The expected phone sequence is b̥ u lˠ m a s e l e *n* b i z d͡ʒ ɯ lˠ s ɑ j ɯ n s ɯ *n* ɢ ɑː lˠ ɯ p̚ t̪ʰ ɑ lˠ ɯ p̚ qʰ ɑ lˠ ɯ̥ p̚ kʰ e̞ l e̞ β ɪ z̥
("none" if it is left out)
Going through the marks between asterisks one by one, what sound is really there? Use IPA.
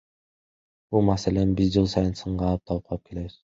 n, ɴ

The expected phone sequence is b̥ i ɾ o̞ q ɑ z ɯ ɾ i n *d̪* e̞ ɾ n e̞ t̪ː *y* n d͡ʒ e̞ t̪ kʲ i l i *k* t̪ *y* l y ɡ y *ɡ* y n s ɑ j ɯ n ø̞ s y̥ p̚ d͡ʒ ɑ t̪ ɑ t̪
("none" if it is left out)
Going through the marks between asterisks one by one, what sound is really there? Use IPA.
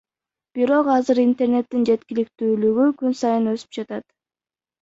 t̪, i, k, yː, k

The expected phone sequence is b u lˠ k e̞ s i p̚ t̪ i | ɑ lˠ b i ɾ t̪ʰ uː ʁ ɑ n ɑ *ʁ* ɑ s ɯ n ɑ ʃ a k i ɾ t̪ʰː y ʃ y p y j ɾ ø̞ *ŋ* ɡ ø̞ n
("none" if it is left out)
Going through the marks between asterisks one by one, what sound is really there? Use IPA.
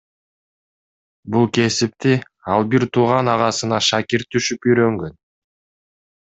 ʁ, ŋ

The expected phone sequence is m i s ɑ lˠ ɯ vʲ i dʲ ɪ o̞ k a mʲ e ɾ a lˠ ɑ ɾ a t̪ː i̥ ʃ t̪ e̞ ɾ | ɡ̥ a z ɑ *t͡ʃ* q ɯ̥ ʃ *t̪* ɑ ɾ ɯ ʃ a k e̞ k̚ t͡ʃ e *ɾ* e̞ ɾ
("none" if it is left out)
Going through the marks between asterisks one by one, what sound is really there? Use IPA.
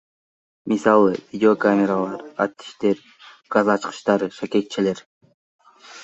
t͡ʃ, t̪, l

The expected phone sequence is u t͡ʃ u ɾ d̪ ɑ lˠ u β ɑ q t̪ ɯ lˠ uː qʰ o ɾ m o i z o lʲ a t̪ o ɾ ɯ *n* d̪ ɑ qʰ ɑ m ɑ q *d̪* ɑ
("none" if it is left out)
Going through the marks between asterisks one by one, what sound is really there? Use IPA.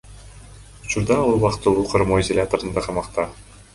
n, t̪

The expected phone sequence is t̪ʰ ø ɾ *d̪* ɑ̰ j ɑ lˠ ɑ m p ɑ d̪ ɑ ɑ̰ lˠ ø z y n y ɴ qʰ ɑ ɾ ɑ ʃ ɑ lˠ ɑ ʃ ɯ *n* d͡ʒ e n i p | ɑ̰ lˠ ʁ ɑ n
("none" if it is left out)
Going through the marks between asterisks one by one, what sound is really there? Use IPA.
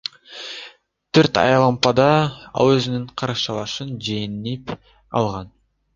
t̪, n

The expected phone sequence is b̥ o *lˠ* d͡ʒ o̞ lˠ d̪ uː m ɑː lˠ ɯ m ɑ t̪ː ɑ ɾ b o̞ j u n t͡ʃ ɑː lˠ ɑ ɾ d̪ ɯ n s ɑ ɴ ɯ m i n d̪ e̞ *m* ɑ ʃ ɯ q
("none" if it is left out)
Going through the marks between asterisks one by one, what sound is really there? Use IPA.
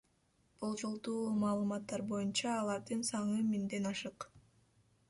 lˠ, n

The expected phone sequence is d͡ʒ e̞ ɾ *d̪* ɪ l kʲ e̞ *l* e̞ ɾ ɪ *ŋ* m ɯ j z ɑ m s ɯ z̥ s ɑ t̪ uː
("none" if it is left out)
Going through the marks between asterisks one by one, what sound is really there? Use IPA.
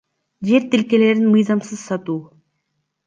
t̪, l, n

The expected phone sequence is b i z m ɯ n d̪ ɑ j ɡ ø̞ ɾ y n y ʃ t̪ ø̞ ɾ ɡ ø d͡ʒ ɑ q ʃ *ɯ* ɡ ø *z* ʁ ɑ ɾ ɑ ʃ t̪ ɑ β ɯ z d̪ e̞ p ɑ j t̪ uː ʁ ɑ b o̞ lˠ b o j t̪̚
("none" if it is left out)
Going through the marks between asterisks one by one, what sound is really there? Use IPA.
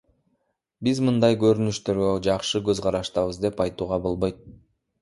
ɯ, z

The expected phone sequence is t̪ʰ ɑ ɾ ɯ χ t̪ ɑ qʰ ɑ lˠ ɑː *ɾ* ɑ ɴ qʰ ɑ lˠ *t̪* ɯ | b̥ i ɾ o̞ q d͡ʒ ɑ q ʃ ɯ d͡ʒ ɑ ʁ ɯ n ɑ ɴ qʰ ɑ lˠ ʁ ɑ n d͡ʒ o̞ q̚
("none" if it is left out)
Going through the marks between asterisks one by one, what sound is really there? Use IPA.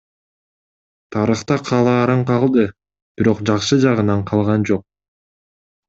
ɾ, d̪

